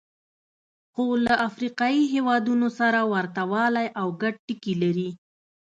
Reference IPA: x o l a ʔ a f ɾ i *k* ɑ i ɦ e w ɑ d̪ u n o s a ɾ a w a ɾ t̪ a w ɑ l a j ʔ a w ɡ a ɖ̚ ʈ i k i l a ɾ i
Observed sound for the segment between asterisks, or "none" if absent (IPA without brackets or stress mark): q